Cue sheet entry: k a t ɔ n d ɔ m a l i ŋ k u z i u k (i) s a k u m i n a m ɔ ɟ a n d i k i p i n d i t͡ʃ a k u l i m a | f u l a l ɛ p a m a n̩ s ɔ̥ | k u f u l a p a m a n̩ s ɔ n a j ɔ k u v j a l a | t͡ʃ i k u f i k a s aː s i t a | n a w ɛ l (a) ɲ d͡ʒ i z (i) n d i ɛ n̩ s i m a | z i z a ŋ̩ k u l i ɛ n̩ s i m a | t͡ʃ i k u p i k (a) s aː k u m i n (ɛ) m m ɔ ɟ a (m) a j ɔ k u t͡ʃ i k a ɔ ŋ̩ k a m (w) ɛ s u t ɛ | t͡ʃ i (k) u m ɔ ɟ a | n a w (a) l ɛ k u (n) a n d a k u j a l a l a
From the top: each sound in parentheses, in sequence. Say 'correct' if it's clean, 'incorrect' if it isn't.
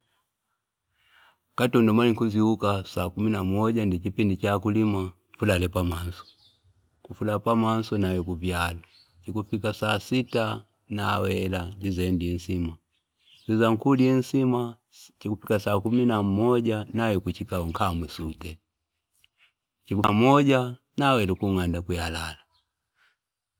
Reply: incorrect: a, correct, incorrect: ɛ, correct, incorrect: a, incorrect: n, correct, correct, incorrect: ɛ, incorrect: ŋ

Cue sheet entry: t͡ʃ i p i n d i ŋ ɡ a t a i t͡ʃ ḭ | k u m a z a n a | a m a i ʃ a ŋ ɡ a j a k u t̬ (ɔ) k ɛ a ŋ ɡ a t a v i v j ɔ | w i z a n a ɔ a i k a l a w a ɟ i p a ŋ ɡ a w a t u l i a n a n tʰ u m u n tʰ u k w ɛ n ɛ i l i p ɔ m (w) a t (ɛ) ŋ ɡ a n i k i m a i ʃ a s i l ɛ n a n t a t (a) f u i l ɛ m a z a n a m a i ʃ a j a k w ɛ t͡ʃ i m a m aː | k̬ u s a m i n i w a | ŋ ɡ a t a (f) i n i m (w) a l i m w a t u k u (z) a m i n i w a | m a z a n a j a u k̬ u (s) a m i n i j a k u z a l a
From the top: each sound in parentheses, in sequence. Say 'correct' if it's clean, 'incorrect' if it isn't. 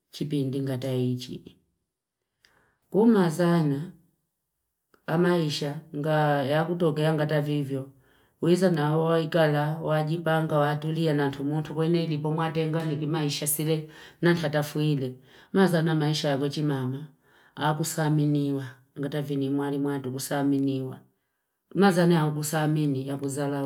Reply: correct, correct, correct, correct, incorrect: v, correct, incorrect: s, correct

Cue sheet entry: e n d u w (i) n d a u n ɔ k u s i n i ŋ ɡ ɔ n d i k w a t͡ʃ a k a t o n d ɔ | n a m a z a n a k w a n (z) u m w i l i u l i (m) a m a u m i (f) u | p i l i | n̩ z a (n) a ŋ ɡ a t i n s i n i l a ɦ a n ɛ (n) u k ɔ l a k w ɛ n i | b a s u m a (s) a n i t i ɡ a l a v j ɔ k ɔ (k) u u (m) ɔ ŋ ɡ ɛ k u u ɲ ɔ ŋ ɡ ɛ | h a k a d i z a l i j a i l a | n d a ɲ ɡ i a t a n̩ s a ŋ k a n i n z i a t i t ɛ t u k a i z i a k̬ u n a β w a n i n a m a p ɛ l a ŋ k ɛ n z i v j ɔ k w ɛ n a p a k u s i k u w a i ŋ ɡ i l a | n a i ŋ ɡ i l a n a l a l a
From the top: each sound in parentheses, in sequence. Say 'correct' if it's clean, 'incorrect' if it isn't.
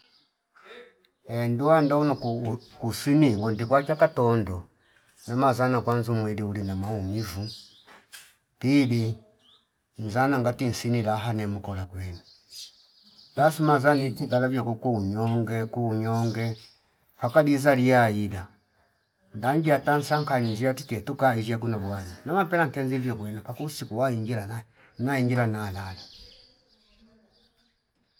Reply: incorrect: a, correct, incorrect: n, incorrect: v, correct, incorrect: m, incorrect: z, correct, incorrect: ɲ

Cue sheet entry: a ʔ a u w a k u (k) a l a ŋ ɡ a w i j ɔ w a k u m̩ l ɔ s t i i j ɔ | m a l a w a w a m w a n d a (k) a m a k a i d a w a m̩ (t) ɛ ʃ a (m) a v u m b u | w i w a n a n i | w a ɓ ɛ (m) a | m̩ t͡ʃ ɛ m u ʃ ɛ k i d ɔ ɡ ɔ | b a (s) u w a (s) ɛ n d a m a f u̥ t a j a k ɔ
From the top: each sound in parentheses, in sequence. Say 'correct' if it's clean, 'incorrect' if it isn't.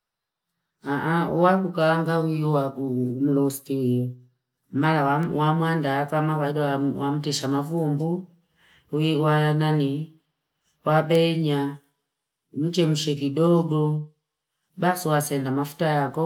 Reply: correct, correct, correct, correct, incorrect: ɲ, correct, correct

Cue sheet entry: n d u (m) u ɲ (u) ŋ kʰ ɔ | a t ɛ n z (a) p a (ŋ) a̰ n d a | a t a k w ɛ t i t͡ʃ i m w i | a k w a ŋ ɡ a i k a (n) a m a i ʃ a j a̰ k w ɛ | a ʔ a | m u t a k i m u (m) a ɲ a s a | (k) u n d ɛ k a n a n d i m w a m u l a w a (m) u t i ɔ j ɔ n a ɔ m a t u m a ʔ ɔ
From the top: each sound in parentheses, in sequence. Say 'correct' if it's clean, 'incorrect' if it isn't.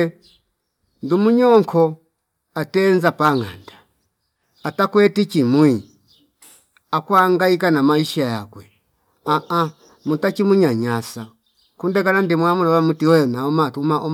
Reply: correct, incorrect: ɔ, correct, correct, correct, incorrect: ɲ, correct, correct

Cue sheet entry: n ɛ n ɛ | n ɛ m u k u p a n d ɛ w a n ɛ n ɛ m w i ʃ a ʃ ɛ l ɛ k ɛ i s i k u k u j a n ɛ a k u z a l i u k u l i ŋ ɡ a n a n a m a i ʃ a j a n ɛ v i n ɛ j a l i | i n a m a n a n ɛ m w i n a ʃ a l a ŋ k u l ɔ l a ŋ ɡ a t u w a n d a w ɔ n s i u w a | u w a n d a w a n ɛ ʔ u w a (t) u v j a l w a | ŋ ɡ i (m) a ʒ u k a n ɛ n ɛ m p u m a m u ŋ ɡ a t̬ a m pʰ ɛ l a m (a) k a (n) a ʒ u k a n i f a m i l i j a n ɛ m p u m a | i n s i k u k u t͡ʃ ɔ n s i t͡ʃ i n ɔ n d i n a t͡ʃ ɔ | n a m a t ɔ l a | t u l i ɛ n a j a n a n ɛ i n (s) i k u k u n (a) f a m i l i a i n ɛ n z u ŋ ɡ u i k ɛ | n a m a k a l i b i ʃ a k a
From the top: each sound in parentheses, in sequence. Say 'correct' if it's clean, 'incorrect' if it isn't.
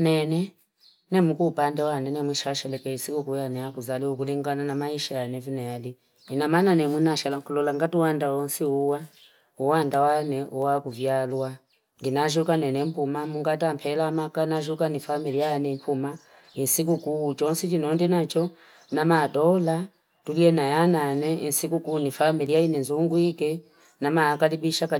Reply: incorrect: k, incorrect: n, correct, correct, correct, incorrect: i

